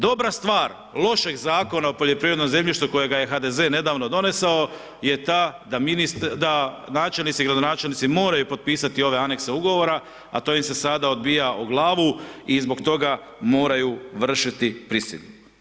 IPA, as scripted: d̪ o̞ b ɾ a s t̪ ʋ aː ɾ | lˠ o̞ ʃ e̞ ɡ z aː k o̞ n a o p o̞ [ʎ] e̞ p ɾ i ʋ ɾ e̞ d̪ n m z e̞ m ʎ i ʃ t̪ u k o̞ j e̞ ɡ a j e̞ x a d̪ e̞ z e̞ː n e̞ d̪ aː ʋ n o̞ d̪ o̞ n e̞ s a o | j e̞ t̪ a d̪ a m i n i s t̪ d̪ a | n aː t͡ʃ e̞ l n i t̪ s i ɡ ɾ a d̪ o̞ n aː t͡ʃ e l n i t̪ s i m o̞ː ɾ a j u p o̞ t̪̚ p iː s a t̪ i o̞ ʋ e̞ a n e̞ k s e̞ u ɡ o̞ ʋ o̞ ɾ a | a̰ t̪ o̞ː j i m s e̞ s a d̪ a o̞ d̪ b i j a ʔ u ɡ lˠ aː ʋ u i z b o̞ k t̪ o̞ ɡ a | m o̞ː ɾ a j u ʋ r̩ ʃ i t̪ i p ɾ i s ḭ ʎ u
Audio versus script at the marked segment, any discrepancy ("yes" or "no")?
no